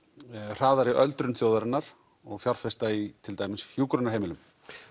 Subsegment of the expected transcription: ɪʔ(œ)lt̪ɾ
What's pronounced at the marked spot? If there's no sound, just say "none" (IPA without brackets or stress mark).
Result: œ